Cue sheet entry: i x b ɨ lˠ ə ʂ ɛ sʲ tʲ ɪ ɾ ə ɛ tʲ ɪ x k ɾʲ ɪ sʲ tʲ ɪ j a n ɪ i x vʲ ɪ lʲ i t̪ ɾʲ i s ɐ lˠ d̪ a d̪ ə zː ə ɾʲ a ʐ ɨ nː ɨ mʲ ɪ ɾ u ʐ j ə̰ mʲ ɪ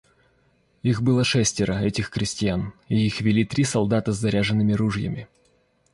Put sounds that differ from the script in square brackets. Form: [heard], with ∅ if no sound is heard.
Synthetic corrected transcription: i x b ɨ lˠ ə ʂ ɛ sʲ tʲ ɪ ɾ ə ɛ tʲ ɪ x k ɾʲ ɪ sʲ tʲ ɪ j a n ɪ i x vʲ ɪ lʲ i t̪ ɾʲ i s ɐ lˠ d̪ a [t̪] ə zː [ɐ] ɾʲ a ʐ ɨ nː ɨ mʲ ɪ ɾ u ʐ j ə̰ mʲ ɪ